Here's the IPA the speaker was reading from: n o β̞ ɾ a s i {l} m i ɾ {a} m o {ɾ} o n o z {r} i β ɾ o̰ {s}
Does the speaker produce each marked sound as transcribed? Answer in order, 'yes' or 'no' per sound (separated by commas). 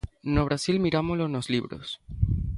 yes, yes, no, no, yes